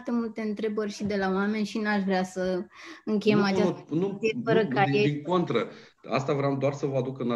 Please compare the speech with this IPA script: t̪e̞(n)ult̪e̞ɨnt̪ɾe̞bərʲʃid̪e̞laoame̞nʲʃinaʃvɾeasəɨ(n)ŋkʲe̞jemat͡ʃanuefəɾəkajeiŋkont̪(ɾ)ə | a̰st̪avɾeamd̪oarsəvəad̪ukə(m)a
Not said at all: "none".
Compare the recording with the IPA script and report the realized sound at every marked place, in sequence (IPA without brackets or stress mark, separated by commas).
m, none, ɾ, n